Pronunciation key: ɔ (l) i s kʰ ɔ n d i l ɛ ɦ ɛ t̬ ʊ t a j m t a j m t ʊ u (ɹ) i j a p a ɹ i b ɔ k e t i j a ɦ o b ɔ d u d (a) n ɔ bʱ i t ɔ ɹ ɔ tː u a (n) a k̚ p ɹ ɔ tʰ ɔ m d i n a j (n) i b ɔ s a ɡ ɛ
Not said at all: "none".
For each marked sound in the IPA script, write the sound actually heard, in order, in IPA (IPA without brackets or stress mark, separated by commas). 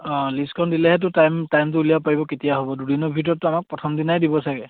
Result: l, l, i, m, d